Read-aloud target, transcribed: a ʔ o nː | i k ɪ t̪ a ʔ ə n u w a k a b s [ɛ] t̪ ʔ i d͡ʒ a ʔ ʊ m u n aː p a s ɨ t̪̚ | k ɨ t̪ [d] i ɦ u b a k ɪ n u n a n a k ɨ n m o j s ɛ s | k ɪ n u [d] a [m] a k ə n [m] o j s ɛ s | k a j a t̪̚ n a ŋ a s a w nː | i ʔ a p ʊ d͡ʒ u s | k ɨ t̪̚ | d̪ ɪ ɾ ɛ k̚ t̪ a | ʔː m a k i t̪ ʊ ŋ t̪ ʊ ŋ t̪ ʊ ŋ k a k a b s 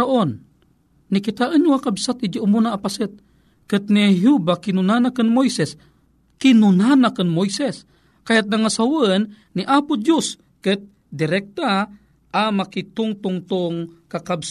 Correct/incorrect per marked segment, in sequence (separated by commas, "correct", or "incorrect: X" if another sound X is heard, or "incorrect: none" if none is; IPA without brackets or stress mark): incorrect: a, incorrect: n, incorrect: n, incorrect: n, correct